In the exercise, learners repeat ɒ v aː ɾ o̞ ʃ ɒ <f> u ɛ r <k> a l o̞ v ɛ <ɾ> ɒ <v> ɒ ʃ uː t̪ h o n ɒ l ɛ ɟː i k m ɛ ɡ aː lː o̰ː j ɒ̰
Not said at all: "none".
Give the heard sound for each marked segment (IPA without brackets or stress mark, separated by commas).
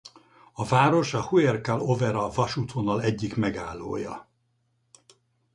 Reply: h, k, ɾ, v